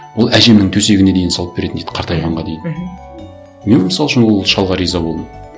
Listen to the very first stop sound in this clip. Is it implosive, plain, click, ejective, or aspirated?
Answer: aspirated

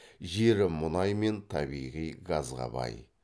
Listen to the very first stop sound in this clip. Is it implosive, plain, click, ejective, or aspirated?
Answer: aspirated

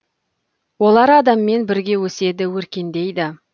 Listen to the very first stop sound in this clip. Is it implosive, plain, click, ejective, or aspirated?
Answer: plain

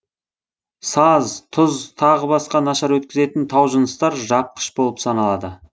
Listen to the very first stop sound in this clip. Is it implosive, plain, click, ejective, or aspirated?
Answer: aspirated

